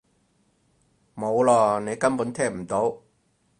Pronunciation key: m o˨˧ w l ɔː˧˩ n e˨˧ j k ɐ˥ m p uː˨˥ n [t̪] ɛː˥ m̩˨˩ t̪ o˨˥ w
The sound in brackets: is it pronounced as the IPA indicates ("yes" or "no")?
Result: no